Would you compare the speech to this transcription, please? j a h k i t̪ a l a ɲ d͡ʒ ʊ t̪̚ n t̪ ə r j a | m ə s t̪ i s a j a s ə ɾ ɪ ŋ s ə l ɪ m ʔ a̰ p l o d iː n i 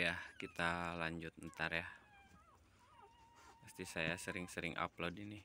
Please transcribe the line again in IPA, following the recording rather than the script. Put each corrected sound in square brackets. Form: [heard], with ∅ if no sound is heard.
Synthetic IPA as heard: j a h k i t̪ a l a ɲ d͡ʒ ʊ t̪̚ n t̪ [a] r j a | m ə s t̪ i s a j a s ə ɾ ɪ ŋ s ə [ɾ] ɪ [ŋ] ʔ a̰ p l o d [i] n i